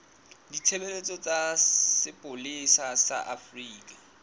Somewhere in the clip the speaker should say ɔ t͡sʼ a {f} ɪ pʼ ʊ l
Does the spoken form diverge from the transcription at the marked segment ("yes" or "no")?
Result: yes